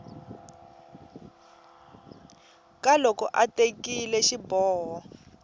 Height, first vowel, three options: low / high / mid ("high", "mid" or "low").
low